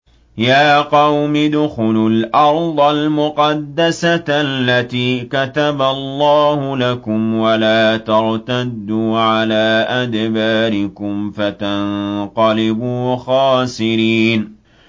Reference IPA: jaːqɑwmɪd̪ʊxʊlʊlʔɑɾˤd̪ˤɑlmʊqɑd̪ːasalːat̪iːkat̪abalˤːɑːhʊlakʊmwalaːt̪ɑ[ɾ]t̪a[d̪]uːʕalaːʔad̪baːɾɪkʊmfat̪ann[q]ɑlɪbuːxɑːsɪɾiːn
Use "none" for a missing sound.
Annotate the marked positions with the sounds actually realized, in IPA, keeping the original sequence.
ɾ, d̪ː, q

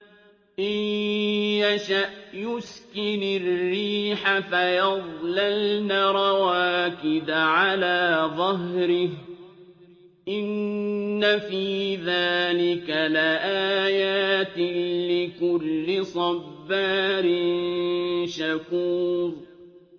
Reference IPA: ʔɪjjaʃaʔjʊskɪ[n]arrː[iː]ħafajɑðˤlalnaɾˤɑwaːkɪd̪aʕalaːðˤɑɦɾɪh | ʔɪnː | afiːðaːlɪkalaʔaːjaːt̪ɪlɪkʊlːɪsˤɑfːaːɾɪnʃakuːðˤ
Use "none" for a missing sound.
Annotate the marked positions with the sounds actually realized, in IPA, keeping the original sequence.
n, iː

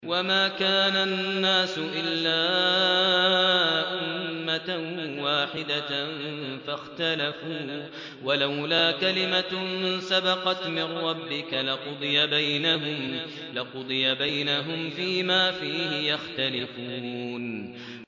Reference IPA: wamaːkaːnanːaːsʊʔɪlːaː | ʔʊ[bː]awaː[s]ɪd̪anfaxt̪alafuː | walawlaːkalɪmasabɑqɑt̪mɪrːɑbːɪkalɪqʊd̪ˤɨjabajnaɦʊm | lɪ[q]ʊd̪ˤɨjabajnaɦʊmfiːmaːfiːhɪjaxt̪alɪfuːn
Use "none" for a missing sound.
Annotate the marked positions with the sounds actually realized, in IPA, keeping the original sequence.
mː, ħ, q

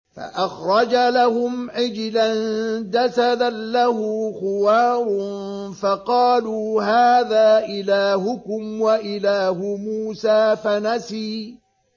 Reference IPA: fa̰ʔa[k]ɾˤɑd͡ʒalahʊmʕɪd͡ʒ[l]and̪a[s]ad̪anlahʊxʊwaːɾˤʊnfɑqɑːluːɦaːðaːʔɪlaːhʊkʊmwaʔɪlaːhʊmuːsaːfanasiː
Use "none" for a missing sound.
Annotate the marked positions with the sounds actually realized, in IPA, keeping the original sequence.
x, l, s

